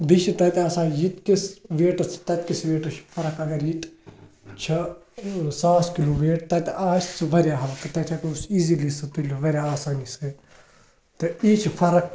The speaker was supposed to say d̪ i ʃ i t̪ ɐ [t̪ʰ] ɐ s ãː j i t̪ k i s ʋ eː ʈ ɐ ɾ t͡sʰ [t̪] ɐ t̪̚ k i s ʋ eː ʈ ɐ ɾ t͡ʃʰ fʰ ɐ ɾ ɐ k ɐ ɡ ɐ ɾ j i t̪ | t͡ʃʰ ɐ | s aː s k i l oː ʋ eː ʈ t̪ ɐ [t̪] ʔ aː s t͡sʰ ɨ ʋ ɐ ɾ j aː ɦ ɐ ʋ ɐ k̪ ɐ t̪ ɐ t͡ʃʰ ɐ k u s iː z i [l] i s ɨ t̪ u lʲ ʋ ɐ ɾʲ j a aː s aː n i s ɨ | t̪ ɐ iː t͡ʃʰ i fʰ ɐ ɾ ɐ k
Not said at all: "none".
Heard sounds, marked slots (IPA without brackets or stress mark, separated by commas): t̪, t̪, t̪, l